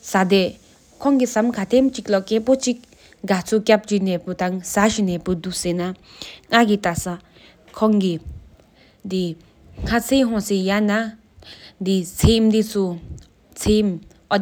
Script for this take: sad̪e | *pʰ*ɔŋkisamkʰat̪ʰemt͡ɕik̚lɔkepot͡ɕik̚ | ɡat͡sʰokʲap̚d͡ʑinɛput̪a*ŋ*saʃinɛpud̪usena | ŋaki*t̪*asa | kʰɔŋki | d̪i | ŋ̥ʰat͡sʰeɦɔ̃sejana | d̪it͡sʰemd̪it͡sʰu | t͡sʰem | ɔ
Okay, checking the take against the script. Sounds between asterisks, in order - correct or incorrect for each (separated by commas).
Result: incorrect, correct, correct